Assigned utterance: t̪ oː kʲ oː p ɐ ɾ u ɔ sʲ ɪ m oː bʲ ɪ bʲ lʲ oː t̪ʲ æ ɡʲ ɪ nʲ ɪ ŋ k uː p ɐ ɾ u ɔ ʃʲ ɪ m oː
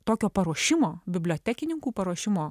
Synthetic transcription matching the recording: t̪ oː kʲ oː p ɐ ɾ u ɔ ʃʲ ɪ m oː bʲ ɪ bʲ lʲ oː t̪ʲ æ kʲ ɪ nʲ ɪ ŋ k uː p ɐ ɾ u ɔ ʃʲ ɪ m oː